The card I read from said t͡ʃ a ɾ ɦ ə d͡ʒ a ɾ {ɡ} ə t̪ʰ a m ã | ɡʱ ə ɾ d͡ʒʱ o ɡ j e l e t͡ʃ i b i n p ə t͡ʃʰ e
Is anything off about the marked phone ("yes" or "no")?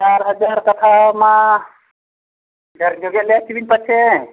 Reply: yes